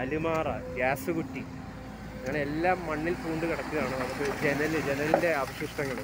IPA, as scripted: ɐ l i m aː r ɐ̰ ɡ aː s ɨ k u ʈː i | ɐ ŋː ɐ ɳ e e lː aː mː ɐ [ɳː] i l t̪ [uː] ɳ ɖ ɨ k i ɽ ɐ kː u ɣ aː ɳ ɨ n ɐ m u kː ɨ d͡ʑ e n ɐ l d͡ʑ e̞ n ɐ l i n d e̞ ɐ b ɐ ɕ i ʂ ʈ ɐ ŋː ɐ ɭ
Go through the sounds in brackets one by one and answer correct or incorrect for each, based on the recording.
correct, correct

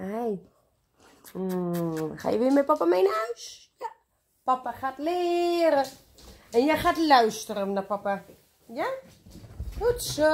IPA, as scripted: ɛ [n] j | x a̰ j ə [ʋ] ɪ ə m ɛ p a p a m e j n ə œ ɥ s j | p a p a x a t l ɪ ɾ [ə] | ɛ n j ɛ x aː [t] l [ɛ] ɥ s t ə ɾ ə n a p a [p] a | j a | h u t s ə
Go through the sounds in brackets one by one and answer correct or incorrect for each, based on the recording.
incorrect: none, correct, correct, correct, incorrect: œ, correct

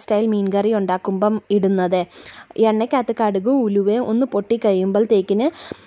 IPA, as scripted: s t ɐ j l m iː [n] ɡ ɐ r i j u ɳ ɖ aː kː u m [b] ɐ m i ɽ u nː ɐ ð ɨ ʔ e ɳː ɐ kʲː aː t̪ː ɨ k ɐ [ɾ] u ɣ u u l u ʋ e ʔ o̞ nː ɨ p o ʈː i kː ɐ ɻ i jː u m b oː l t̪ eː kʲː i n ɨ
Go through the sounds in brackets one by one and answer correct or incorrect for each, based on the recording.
correct, correct, incorrect: ɽ

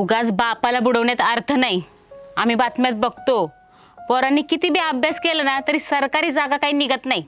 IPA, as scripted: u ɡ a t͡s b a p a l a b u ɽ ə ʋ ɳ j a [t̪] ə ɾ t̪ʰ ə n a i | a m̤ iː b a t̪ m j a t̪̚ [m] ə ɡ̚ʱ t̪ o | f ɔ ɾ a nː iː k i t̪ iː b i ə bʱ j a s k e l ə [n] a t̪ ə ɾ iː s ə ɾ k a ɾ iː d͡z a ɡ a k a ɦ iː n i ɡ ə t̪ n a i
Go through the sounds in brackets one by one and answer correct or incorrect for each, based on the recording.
correct, incorrect: b, correct

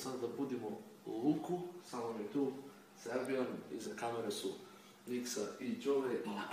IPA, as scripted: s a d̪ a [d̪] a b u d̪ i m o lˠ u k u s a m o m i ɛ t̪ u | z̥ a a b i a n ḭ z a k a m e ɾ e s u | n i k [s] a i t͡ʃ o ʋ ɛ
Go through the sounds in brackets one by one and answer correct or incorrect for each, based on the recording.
correct, correct

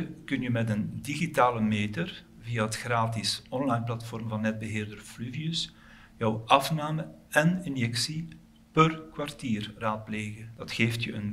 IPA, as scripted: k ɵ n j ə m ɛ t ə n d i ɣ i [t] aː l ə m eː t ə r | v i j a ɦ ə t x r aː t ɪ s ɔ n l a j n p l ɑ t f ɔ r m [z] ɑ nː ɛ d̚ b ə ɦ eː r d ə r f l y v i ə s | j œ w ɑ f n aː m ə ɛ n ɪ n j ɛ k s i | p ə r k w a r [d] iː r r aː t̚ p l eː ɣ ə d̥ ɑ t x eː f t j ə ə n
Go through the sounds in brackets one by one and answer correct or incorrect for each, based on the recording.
correct, incorrect: v, incorrect: t

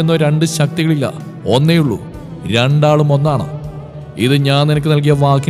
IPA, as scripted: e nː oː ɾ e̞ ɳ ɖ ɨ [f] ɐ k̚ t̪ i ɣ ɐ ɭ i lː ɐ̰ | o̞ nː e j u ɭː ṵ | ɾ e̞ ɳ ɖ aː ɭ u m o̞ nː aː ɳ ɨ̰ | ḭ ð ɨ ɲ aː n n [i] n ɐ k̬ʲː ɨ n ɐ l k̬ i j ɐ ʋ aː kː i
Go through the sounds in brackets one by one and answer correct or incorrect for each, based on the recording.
incorrect: ɕ, correct

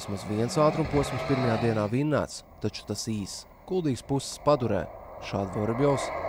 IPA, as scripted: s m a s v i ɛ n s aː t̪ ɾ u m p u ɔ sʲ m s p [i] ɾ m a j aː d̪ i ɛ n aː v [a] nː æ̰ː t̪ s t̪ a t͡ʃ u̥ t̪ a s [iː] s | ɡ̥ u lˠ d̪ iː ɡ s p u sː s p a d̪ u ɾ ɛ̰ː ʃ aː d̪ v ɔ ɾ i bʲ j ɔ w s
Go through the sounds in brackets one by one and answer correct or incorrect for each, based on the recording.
correct, incorrect: i, correct

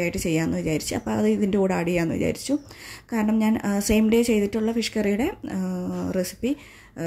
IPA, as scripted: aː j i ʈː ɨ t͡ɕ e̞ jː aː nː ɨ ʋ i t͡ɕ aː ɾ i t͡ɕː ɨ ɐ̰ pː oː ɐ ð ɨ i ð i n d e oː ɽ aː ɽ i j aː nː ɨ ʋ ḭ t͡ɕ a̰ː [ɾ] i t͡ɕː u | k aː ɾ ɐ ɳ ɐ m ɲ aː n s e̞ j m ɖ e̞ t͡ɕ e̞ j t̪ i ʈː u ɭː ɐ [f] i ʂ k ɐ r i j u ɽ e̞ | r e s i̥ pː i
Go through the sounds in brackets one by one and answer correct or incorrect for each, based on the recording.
correct, correct

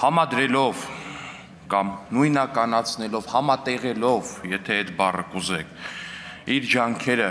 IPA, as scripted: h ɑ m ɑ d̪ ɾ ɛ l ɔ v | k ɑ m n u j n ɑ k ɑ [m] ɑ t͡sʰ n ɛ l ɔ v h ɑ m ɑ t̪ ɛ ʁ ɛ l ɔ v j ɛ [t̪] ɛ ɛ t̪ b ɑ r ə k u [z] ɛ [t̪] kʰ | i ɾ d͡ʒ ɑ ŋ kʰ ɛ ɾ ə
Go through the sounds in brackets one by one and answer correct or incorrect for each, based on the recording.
incorrect: n, incorrect: t̪ʰ, correct, incorrect: none

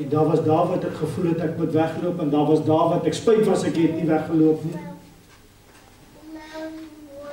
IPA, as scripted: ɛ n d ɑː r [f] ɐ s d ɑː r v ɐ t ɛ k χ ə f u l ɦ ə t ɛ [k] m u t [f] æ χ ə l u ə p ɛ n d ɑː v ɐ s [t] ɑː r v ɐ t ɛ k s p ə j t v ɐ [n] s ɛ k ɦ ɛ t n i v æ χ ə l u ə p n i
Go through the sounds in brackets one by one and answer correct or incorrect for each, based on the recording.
incorrect: v, correct, incorrect: v, incorrect: d, incorrect: none

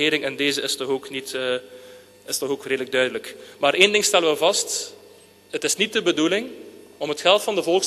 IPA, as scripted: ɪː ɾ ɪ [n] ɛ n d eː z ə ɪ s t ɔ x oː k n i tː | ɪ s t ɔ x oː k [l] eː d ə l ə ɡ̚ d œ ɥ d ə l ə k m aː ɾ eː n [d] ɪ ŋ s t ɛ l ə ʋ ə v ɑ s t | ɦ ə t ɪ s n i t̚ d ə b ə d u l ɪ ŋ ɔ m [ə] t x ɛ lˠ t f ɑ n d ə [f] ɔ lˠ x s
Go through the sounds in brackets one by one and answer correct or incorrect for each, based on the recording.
incorrect: ŋ, incorrect: r, correct, correct, incorrect: v

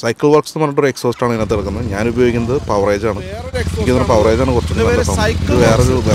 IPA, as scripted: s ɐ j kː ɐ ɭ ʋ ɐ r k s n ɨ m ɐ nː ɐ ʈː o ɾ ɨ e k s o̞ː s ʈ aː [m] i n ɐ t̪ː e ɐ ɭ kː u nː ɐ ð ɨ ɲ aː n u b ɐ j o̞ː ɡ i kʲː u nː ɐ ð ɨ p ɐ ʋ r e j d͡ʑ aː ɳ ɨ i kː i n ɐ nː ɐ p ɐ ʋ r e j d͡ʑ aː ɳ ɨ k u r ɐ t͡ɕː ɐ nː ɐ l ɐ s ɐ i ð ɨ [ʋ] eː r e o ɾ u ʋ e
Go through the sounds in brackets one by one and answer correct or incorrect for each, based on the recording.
incorrect: ɳ, correct

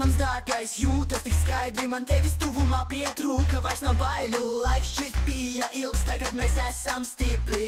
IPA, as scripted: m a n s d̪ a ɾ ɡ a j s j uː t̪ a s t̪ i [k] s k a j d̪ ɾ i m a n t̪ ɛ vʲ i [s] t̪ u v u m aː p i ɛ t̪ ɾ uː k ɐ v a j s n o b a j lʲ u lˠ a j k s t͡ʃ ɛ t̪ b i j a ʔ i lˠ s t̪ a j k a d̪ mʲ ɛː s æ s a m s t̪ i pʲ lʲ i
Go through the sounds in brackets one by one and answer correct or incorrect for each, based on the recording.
correct, correct

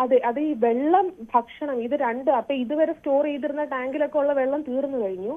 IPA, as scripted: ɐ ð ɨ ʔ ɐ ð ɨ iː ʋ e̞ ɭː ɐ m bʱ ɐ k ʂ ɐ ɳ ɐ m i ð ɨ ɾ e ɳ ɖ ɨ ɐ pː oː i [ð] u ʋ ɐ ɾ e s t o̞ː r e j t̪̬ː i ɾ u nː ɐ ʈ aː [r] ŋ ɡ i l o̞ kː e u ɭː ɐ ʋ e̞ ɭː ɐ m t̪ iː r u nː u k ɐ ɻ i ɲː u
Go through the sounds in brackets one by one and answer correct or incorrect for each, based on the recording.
correct, incorrect: none

